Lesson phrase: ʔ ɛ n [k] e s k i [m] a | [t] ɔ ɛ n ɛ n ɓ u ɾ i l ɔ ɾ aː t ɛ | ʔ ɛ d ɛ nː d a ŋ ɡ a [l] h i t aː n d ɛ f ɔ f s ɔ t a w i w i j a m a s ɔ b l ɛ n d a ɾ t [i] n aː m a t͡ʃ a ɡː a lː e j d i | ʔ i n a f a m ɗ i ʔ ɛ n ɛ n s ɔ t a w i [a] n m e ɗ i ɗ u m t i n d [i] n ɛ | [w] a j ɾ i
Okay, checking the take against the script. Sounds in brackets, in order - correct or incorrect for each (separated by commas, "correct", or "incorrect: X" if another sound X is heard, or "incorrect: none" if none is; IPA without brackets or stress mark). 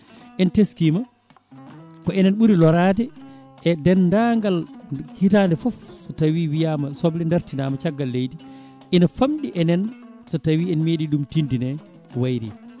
incorrect: t, correct, incorrect: k, correct, correct, incorrect: ɛ, correct, correct